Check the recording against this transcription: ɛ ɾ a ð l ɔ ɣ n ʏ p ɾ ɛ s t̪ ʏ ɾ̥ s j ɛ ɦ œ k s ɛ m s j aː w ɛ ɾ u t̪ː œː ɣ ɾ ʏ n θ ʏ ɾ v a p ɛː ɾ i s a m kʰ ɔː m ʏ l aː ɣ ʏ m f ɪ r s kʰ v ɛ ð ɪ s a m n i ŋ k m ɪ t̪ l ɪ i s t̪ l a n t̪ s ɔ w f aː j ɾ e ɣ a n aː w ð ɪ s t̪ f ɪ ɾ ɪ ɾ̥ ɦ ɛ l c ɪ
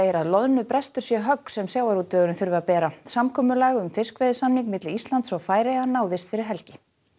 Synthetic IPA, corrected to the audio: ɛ ɾ a ð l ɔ ð n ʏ p ɾ ɛ s t̪ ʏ ɾ̥ s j ɛ ɦ œ k s ɛ m s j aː w a ɾ u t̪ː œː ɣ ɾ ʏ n θ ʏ ɾ v a p ɛː ɾ a s a m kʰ ɔː m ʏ l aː ɣ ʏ m f ɪ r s k v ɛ ð ɪ s a m n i ŋ k m ɪ t̪ l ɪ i s t̪ l a n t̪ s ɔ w f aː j ɾ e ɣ a n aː w ð ɪ s t̪ f ɪ ɾ ɪ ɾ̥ ɦ ɛ l c ɪ